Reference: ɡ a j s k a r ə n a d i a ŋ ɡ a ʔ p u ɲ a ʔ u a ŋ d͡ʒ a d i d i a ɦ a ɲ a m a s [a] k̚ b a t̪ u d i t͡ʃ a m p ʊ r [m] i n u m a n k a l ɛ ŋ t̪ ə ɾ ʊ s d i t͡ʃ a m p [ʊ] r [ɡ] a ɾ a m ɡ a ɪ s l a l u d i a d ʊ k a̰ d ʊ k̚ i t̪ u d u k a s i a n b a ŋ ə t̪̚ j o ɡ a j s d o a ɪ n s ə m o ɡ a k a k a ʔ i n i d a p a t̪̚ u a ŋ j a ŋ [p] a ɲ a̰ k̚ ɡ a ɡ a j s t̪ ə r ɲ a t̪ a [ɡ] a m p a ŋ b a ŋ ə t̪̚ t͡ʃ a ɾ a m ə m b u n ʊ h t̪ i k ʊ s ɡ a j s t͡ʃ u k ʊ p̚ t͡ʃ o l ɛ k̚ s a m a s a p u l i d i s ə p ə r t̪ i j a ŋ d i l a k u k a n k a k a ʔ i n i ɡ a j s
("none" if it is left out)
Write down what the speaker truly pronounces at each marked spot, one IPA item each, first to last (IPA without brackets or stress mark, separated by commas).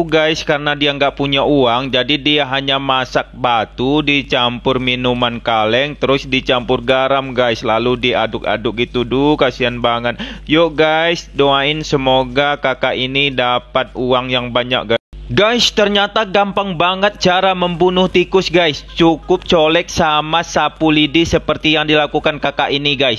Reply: a, m, ʊ, ɡ, b, ɡ